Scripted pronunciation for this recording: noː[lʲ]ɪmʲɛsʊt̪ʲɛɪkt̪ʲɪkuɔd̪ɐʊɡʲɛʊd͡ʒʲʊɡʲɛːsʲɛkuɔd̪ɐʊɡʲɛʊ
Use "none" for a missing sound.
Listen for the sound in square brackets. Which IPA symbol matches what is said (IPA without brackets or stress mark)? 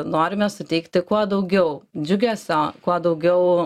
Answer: ɾʲ